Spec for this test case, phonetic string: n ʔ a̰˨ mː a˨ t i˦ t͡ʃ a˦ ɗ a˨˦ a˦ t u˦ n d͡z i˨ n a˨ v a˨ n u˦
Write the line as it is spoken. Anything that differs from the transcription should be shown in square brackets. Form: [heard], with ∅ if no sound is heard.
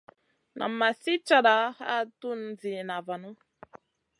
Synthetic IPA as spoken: n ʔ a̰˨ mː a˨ [s] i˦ t͡ʃ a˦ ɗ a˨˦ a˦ t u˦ n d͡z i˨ n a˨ v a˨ n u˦

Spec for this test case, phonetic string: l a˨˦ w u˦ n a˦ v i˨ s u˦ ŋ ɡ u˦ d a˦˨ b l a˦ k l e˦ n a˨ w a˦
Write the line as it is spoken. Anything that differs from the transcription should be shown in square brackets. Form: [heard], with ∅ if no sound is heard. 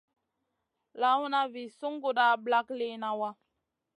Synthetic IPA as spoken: l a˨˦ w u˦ n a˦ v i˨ s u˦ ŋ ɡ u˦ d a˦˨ b l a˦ k l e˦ n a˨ w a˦

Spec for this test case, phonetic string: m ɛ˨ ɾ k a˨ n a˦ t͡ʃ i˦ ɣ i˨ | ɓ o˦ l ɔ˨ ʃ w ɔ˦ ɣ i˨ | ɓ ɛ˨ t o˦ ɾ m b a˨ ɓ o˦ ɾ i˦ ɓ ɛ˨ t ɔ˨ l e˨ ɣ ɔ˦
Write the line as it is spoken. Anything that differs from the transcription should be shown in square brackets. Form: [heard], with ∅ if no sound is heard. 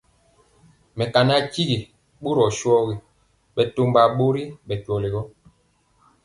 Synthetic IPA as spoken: m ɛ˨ [∅] k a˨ n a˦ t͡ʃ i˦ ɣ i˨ | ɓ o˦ [ɾ] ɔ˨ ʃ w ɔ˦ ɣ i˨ | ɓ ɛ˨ t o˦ [∅] m b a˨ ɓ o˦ ɾ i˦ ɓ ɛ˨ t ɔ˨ l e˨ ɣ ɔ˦

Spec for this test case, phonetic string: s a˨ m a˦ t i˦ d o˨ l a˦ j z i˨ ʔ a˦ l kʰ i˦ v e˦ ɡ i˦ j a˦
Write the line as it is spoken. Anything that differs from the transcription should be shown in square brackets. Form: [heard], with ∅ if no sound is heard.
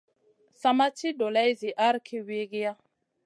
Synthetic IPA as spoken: s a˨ m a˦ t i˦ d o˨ l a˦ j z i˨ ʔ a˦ [ɾ] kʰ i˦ [w] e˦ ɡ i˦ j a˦

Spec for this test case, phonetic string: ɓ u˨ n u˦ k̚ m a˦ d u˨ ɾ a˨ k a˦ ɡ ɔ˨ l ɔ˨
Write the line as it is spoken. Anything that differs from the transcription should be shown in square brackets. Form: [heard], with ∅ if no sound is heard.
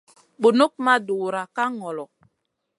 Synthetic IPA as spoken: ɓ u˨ n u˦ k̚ m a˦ d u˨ ɾ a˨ k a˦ [ŋ] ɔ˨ l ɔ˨

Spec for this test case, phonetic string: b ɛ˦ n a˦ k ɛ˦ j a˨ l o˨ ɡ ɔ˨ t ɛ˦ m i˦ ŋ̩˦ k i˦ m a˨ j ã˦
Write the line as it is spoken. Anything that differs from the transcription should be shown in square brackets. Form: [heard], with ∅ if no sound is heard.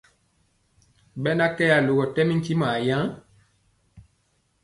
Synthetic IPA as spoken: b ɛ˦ n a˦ k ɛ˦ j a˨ l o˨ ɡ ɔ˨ t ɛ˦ m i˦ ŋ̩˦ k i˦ m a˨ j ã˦

